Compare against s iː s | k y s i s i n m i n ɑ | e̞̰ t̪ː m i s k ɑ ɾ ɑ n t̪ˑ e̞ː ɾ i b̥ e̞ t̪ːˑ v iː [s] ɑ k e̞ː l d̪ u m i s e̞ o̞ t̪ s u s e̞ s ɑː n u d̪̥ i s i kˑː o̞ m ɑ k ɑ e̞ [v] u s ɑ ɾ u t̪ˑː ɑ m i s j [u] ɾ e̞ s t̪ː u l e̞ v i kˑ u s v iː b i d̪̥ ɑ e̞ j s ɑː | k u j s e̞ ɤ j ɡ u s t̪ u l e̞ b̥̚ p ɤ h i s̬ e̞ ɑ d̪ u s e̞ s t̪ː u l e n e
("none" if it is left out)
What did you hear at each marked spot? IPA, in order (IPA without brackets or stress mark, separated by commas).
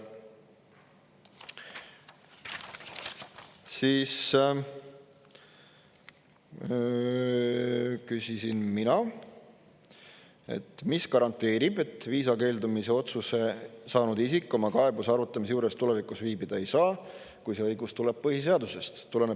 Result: s, b, uː